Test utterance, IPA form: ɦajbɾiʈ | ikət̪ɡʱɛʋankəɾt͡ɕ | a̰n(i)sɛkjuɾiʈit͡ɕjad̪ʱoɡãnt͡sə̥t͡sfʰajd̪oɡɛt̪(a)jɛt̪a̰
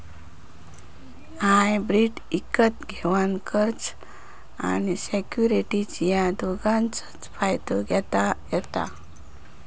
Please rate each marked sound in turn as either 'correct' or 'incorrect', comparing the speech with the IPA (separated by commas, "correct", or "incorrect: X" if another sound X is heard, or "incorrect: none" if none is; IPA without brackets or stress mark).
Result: correct, correct